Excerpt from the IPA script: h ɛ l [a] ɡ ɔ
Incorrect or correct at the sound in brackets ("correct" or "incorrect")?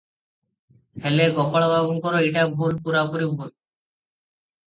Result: incorrect